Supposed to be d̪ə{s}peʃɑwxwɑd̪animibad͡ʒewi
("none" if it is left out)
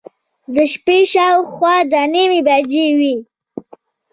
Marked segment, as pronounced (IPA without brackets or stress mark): ʃ